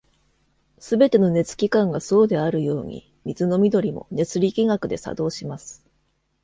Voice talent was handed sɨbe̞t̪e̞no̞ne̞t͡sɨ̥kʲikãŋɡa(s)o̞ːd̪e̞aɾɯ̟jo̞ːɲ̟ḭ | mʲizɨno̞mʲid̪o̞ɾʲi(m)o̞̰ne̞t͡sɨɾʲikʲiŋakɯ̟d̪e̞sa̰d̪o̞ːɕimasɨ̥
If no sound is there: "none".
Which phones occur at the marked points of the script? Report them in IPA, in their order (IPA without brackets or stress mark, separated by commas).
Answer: s, m